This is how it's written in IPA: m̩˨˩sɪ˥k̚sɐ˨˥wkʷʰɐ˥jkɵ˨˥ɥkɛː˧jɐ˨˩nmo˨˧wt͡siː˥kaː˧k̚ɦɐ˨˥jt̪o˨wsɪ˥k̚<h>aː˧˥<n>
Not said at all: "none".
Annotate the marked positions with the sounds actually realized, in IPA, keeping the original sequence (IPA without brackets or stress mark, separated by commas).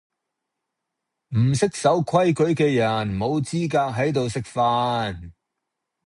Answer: f, n